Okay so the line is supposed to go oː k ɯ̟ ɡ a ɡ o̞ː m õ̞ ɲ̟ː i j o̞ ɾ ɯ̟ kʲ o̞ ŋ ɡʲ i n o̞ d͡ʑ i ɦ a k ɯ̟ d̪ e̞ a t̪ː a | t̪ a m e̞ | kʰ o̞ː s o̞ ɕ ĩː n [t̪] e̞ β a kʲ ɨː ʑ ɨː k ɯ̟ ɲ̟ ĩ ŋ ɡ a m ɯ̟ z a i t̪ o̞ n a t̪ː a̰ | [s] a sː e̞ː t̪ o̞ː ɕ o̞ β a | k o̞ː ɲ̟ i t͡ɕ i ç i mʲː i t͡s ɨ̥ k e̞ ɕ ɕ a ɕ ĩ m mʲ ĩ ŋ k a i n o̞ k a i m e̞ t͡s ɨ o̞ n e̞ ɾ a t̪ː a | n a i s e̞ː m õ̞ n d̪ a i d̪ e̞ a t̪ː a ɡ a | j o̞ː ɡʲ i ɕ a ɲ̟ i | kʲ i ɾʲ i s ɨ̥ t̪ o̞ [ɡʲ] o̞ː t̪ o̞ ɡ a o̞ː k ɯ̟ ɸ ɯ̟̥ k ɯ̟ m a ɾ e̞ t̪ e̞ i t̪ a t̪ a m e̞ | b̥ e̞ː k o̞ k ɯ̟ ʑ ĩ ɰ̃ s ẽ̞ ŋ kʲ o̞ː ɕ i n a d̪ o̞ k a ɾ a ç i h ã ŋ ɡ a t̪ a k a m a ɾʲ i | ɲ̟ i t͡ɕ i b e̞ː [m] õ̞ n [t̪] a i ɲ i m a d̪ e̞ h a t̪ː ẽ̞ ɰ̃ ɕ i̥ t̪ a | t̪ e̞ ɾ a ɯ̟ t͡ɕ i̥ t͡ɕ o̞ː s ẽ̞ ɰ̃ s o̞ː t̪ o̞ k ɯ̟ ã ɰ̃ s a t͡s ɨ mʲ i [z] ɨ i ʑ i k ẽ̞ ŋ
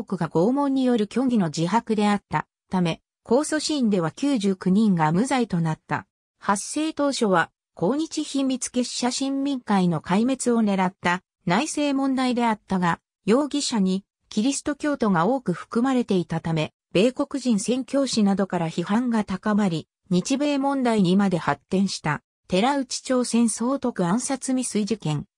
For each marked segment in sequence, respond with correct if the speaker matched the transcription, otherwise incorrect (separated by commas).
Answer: incorrect, incorrect, incorrect, correct, incorrect, incorrect